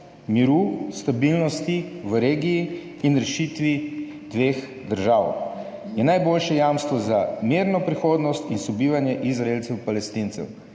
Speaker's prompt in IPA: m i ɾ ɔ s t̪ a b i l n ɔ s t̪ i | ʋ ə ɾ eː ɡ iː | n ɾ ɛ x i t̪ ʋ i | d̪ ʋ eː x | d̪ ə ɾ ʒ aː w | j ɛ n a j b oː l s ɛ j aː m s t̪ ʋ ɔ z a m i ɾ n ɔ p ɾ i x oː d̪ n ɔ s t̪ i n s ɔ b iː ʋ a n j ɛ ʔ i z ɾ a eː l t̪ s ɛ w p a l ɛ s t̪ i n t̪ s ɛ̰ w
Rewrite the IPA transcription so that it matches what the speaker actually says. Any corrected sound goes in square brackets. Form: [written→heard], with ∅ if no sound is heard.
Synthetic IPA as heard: m i ɾ [ɔ→u] s t̪ a b i l n ɔ s t̪ i | ʋ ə ɾ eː ɡ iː | n ɾ ɛ [x→ʃ] i t̪ ʋ i | d̪ ʋ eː x | d̪ ə ɾ ʒ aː w | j ɛ n a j b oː l [s→ʃ] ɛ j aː m s t̪ ʋ ɔ z a m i ɾ n ɔ p ɾ i x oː d̪ n ɔ s t̪ i n s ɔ b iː ʋ a n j ɛ ʔ i z ɾ a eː l t̪ s ɛ w p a l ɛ s t̪ i n t̪ s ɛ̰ w